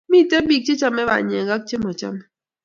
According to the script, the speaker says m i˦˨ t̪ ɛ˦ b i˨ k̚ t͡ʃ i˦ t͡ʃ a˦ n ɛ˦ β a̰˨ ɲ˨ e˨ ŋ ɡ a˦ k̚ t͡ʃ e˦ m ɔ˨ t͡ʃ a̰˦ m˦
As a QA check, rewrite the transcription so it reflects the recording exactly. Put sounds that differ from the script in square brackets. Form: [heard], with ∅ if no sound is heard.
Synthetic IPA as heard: m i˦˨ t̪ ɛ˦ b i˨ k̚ t͡ʃ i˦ t͡ʃ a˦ [m] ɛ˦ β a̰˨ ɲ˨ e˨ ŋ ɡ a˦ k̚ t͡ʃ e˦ m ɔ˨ t͡ʃ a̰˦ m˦